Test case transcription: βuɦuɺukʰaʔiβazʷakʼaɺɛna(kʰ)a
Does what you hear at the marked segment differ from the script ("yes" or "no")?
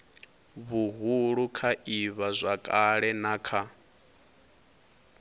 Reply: no